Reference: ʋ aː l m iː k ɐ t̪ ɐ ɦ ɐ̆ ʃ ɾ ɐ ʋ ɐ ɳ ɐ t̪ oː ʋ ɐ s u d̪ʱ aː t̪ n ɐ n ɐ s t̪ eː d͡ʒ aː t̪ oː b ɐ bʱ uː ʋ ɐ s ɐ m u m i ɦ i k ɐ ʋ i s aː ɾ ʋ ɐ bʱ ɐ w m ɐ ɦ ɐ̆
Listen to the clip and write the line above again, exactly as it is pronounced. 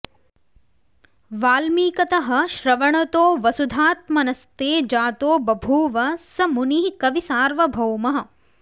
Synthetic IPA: ʋ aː l m iː k ɐ t̪ ɐ ɦ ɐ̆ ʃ ɾ ɐ ʋ ɐ ɳ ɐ t̪ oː ʋ ɐ s u d̪ʱ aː t̪ m ɐ n ɐ s t̪ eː d͡ʒ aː t̪ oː b ɐ bʱ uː ʋ ɐ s ɐ m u n i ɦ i k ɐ ʋ i s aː ɾ ʋ ɐ bʱ ɐ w m ɐ ɦ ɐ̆